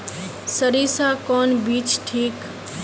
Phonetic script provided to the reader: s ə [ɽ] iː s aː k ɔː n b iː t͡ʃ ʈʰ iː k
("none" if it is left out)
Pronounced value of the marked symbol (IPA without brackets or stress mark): ɾ